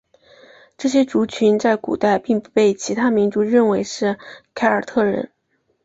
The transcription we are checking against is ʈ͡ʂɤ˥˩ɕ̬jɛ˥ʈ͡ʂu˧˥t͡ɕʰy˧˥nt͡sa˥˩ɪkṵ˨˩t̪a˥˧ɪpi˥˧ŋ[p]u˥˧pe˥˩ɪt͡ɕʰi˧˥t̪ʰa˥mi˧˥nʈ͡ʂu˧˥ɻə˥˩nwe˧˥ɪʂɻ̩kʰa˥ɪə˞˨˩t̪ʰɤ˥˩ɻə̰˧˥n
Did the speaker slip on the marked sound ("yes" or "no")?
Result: no